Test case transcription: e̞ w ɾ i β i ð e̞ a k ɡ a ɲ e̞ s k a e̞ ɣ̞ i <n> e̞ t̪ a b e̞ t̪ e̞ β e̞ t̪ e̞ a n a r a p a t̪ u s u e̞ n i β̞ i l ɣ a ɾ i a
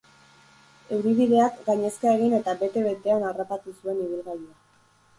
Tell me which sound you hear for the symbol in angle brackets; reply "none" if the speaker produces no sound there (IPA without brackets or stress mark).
n